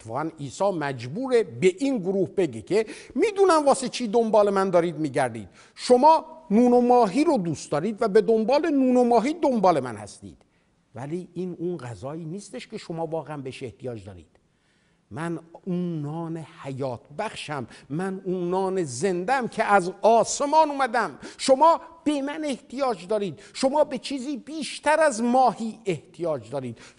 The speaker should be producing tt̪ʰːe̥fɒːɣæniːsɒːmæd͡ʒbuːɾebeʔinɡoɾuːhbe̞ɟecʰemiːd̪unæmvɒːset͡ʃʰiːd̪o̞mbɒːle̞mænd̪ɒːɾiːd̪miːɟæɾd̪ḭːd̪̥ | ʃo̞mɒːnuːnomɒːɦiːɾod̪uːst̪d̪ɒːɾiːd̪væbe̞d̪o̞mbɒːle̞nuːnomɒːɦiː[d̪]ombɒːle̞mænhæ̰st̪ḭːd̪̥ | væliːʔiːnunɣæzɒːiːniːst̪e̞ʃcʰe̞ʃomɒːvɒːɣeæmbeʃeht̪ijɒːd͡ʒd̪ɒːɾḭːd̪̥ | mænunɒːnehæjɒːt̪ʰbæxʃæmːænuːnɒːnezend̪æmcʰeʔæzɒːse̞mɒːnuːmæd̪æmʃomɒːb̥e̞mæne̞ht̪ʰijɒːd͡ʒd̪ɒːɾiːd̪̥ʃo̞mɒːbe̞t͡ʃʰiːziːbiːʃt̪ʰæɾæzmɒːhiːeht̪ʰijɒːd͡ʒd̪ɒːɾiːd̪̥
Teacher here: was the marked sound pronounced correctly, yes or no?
yes